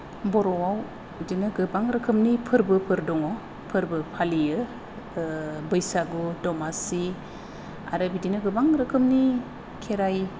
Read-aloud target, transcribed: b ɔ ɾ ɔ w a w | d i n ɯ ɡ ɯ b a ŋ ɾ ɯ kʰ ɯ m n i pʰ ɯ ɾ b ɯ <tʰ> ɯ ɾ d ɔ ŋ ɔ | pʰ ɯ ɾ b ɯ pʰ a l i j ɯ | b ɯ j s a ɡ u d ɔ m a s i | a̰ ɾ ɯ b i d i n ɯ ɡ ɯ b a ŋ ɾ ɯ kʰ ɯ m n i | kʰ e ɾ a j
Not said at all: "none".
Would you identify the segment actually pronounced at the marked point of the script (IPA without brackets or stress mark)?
pʰ